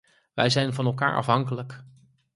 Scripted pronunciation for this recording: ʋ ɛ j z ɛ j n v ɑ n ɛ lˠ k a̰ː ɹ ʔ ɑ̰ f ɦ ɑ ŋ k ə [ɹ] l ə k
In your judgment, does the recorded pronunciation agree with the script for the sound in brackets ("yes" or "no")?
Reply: no